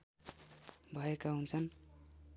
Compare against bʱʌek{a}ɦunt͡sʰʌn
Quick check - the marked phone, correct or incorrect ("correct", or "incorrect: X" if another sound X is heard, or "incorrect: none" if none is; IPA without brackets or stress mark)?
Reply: correct